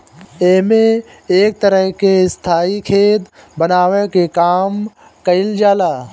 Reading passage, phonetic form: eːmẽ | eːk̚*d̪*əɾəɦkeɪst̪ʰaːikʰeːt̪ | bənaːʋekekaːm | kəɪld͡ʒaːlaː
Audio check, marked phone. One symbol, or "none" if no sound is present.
t̪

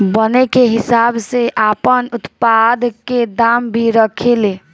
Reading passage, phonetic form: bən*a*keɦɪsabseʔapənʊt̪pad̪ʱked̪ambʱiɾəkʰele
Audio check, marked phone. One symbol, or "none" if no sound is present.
e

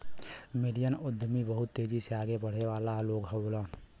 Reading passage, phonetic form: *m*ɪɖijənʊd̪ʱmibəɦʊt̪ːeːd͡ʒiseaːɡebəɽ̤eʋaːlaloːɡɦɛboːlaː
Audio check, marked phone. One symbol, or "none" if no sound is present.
m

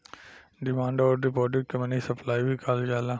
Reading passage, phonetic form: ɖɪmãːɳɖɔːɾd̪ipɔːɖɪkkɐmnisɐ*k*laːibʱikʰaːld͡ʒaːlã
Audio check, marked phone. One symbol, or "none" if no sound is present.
p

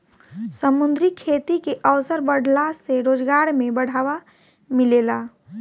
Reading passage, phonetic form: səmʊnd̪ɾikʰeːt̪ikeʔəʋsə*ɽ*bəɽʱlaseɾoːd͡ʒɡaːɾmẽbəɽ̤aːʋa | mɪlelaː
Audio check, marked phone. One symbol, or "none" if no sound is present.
ɾ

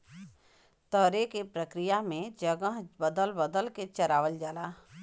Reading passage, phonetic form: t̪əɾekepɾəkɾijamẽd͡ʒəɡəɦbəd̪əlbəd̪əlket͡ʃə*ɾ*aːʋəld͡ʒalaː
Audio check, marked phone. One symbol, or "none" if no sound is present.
ɾ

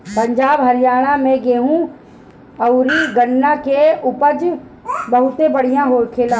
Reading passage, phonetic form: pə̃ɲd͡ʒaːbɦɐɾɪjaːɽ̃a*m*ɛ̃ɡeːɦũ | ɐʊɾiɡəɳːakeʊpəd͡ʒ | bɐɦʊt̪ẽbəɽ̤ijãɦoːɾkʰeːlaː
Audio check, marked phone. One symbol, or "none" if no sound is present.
m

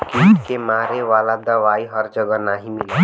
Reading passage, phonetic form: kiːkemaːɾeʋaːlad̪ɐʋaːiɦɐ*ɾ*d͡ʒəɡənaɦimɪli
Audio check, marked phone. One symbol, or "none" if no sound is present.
ɾ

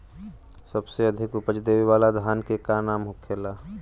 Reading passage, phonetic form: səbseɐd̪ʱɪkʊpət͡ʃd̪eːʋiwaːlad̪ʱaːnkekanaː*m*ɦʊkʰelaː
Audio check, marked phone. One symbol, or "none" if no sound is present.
m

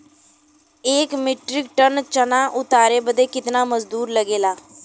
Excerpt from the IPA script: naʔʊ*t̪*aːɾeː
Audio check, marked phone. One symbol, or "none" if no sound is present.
t̪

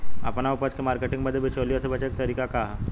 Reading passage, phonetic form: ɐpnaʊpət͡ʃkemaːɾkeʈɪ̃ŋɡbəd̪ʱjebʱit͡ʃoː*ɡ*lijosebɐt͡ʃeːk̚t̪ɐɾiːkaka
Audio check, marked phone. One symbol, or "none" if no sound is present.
none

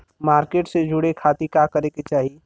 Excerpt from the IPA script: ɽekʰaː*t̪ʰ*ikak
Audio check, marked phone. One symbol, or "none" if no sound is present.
t̪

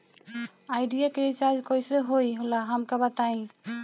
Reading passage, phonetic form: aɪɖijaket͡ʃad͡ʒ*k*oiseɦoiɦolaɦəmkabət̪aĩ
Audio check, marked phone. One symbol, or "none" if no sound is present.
k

